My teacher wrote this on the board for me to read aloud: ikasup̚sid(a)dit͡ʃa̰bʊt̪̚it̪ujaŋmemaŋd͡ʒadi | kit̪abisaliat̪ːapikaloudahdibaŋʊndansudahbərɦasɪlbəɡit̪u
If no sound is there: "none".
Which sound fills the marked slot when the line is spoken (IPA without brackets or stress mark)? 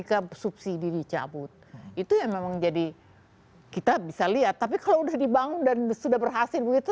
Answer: i